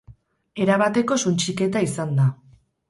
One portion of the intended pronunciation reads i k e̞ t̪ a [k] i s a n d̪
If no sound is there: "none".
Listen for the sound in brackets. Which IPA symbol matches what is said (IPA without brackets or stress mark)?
none